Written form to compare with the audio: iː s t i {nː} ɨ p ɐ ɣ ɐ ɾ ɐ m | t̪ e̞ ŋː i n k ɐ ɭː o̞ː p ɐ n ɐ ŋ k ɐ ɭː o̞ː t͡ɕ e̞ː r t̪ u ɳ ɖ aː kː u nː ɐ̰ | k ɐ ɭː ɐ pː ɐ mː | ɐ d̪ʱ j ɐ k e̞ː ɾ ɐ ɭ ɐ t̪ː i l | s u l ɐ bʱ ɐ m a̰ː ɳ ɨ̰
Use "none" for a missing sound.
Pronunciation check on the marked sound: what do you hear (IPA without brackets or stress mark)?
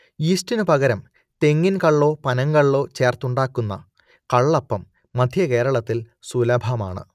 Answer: n